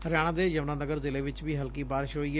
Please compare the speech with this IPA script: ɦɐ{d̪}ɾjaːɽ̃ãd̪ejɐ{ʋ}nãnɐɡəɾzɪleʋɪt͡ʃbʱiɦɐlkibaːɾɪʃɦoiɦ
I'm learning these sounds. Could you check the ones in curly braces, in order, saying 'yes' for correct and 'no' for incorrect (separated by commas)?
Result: no, yes